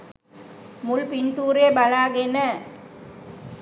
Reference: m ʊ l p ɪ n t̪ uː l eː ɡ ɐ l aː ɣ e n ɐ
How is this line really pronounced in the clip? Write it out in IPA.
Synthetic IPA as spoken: m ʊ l p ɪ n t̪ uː ɾ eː b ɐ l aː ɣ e n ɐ